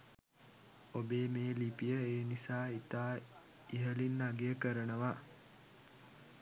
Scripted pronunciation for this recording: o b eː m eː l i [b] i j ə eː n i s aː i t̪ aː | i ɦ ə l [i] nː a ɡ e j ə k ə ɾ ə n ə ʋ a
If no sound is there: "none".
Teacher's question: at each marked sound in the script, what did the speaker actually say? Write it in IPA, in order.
p, i

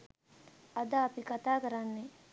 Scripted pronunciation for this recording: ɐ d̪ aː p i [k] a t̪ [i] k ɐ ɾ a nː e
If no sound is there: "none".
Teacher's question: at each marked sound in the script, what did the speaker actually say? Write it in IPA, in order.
k, a

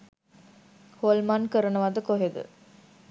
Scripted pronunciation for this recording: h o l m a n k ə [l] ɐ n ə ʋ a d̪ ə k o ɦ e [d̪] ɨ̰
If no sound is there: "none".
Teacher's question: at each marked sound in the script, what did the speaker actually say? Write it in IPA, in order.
ɾ, d̪

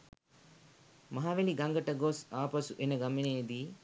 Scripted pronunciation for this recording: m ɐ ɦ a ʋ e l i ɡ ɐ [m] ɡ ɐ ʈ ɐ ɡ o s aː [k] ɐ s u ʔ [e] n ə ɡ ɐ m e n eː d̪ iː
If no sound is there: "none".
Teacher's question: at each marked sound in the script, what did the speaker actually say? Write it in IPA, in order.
ŋ, p, e

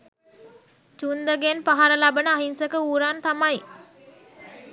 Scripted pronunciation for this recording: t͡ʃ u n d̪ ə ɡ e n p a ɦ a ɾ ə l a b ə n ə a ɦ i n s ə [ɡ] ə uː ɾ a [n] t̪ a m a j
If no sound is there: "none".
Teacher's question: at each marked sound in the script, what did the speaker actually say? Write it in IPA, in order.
k, n

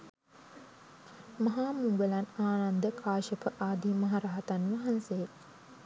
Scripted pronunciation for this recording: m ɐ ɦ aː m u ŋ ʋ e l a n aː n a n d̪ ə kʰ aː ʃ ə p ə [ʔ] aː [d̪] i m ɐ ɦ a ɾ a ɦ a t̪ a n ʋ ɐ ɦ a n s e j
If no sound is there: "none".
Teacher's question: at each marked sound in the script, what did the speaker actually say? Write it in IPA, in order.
ʔ, d̪

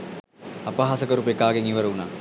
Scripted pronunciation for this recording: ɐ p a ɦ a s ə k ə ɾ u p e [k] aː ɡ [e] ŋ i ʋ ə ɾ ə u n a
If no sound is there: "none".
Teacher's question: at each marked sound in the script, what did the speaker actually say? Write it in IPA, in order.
k, e

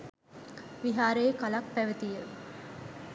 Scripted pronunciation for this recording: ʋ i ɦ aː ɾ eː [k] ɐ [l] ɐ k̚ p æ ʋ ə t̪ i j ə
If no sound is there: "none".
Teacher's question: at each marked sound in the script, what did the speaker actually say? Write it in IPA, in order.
k, l

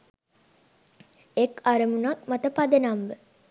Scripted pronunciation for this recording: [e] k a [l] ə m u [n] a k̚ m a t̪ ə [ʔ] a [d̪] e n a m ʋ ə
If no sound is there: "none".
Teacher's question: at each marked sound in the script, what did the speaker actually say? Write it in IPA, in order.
e, ɾ, n, p, d̪

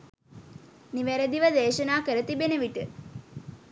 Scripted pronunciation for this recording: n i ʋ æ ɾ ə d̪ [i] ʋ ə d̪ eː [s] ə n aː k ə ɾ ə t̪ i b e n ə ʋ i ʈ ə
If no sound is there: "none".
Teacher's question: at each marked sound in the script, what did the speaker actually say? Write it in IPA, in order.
i, ʃ

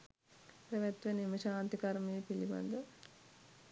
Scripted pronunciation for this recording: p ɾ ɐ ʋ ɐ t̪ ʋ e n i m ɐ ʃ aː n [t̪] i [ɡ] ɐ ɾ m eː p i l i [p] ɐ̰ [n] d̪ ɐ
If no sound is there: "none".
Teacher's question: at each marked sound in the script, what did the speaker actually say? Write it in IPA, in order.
t̪, k, b, n

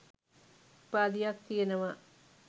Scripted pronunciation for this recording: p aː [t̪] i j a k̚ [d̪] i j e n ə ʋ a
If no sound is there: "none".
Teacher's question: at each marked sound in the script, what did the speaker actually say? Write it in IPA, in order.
d̪, t̪

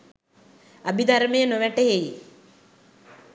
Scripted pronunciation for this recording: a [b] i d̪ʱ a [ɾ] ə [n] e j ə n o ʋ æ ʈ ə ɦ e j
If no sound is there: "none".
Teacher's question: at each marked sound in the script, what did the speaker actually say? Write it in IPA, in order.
b, ɾ, m

